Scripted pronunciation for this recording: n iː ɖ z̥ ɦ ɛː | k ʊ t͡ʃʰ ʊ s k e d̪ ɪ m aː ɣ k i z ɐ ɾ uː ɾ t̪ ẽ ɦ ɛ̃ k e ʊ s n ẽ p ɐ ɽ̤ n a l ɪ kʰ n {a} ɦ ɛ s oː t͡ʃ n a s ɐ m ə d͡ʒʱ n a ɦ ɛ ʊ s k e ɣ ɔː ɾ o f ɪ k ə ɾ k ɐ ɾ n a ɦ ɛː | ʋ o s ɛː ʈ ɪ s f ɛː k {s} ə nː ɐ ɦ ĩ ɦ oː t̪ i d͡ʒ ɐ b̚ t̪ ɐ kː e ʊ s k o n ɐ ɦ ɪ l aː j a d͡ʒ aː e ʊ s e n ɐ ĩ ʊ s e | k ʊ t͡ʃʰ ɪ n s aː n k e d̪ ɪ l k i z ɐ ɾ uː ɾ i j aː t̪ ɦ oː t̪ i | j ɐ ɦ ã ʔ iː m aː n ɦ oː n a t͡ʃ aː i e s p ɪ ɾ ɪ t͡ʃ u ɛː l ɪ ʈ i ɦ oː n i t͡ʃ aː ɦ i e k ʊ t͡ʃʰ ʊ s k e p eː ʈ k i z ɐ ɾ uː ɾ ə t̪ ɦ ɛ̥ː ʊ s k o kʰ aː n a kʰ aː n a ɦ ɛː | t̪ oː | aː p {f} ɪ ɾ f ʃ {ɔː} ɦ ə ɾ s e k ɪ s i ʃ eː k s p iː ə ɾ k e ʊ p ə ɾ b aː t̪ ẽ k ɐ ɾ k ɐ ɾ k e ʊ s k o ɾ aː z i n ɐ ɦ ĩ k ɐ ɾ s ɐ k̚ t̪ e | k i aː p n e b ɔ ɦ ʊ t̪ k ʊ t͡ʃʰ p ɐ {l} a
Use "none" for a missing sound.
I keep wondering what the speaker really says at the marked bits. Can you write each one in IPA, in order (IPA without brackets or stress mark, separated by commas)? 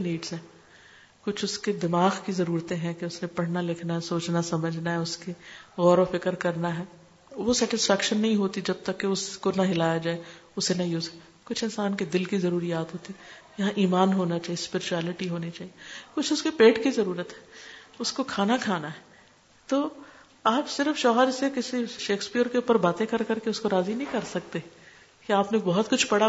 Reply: a, ʃ, s, ɔː, ɽ